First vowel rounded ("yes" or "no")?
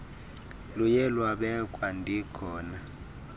yes